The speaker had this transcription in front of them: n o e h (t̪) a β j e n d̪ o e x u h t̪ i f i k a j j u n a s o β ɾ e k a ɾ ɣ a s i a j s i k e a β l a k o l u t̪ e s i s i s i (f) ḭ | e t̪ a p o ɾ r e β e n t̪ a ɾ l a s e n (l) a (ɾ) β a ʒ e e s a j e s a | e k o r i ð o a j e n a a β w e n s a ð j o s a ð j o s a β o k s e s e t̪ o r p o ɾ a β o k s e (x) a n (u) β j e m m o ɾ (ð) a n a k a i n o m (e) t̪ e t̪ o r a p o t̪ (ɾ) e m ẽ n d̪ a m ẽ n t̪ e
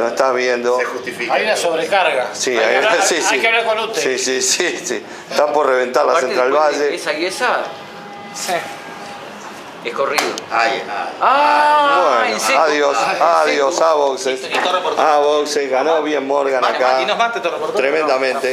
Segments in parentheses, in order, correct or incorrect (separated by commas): correct, incorrect, incorrect, incorrect, incorrect, incorrect, incorrect, incorrect, correct